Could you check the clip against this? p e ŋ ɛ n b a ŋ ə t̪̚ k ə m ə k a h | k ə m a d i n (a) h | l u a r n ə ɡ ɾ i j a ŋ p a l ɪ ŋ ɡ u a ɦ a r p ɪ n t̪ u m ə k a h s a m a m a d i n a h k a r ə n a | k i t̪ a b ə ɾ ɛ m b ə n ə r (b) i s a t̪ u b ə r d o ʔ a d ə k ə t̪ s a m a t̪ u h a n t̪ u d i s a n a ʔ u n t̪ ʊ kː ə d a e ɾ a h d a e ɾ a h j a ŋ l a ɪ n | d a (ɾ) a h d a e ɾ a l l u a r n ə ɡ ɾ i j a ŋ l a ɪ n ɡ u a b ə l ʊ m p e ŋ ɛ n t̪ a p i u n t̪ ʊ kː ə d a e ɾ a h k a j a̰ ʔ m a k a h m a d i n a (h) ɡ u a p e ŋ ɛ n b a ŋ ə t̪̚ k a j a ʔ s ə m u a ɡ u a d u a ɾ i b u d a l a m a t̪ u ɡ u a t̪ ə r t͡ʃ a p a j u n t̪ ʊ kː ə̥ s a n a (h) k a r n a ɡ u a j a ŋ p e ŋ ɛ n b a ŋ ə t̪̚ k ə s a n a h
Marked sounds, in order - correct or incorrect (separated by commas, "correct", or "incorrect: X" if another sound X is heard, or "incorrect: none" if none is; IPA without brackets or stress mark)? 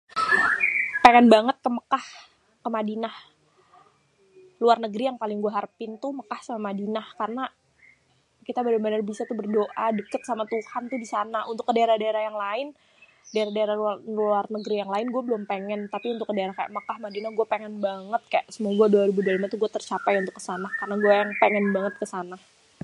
correct, correct, correct, correct, correct